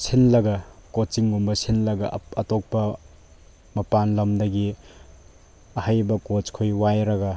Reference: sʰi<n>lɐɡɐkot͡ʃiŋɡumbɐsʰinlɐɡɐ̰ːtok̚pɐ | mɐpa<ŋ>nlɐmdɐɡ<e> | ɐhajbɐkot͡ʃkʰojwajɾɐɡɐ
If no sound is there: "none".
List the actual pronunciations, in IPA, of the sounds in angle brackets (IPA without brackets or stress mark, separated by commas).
n, none, i